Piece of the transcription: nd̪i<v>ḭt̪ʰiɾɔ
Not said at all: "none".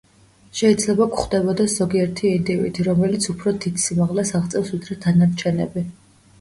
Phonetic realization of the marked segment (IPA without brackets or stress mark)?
v